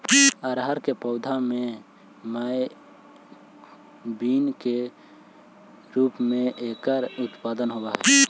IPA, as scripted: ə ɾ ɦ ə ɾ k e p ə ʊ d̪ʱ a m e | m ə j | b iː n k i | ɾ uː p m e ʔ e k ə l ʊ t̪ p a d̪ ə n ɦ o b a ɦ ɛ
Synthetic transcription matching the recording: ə ɾ ɦ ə ɾ k e p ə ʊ d̪ʱ a m e | m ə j | b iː n k e | ɾ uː p m e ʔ e k ə ɾ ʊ t̪ p a d̪ ə n ɦ o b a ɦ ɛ